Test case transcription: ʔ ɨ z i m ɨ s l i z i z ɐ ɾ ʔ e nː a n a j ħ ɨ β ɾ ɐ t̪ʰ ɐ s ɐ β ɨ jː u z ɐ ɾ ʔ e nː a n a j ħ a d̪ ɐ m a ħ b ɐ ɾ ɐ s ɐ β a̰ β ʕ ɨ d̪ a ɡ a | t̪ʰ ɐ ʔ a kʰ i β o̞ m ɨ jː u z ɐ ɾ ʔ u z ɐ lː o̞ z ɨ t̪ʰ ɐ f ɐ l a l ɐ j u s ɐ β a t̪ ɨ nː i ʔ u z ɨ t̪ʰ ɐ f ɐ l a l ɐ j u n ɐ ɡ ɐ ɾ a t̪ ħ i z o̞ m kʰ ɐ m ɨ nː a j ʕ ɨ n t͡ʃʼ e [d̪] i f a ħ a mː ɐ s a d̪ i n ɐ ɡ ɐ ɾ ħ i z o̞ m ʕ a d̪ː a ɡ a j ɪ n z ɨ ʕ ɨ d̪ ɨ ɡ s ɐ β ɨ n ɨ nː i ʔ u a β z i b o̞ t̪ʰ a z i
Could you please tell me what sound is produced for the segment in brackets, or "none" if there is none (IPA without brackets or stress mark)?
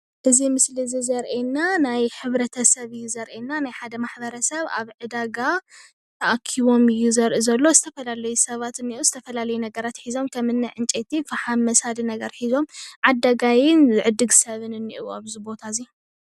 t̪